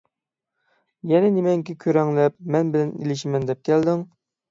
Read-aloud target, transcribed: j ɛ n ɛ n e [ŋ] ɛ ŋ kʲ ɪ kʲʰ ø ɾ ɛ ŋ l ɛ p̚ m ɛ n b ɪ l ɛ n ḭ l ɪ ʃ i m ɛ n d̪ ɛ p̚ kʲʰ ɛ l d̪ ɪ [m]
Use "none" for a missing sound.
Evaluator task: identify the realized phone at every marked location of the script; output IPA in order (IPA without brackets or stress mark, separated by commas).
m, ŋ